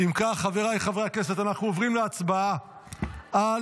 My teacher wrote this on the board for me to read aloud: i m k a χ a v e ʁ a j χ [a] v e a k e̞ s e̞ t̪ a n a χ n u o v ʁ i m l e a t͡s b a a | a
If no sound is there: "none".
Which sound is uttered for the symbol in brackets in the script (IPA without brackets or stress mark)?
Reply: a